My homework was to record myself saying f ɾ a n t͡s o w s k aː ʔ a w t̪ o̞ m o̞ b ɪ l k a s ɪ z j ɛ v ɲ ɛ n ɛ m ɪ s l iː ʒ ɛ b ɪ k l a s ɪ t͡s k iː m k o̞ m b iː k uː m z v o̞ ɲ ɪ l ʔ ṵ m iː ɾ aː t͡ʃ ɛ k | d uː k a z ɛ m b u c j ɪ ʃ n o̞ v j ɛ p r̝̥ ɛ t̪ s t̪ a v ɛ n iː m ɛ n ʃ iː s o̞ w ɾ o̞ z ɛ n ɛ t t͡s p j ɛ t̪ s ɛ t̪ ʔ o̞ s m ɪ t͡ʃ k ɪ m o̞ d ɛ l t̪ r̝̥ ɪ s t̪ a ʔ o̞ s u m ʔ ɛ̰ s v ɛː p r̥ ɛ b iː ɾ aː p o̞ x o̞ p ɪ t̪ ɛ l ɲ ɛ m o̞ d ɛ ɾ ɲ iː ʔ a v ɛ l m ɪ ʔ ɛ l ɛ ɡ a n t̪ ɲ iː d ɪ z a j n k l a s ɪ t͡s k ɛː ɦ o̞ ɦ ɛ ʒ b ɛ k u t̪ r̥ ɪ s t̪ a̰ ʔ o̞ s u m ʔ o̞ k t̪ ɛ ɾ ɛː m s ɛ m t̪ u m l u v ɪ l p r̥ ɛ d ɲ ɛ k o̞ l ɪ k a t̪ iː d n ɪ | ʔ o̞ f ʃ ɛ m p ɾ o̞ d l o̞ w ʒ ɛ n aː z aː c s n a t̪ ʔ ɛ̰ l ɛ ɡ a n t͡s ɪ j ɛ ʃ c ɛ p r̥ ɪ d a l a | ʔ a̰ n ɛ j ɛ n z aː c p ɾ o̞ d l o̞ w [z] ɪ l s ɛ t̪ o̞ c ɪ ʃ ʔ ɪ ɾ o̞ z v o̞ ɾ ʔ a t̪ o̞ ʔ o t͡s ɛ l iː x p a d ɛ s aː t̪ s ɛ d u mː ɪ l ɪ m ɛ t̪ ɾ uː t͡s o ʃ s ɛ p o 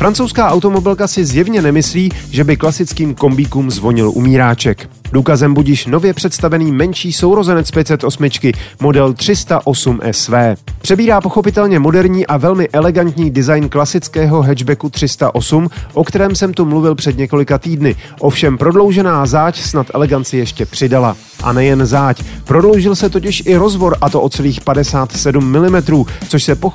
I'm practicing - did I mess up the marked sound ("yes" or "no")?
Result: yes